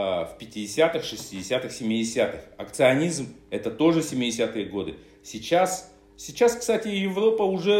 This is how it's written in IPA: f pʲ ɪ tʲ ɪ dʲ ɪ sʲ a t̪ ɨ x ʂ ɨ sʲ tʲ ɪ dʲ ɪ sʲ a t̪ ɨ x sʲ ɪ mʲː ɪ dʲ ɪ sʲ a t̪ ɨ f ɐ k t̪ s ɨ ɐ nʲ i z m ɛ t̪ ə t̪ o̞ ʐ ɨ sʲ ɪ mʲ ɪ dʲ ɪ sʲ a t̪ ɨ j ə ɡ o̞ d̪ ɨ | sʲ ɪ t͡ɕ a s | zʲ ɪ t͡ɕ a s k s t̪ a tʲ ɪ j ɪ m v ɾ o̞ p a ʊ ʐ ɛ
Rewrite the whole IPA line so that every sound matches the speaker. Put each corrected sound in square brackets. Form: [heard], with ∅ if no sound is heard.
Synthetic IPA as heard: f pʲ ɪ tʲ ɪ dʲ ɪ sʲ a t̪ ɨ x ʂ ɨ sʲ tʲ ɪ dʲ ɪ sʲ a t̪ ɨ x sʲ ɪ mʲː ɪ dʲ ɪ sʲ a t̪ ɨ [x] ɐ k t̪ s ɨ ɐ nʲ i z m ɛ t̪ ə t̪ o̞ ʐ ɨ sʲ ɪ mʲ ɪ dʲ ɪ sʲ a t̪ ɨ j ə ɡ o̞ d̪ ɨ | sʲ ɪ t͡ɕ a s | [sʲ] ɪ t͡ɕ a s k s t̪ a tʲ ɪ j ɪ [∅] v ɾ o̞ p [ə] ʊ ʐ ɛ